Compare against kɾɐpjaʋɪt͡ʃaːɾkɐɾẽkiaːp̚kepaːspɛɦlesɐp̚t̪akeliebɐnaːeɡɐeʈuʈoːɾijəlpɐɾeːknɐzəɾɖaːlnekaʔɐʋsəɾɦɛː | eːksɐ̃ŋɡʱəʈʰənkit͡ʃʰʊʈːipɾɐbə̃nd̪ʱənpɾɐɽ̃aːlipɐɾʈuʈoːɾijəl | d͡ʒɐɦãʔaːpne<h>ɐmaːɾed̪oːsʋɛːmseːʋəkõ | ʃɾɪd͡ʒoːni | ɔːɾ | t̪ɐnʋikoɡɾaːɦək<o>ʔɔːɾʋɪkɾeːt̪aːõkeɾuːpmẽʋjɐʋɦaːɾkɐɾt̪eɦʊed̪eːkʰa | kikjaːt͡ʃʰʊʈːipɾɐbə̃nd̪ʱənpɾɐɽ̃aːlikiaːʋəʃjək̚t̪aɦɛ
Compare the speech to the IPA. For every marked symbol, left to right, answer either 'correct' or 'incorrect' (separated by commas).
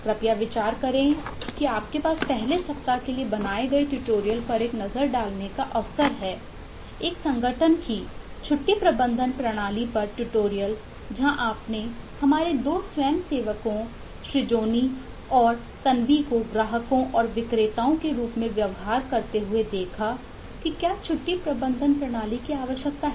correct, incorrect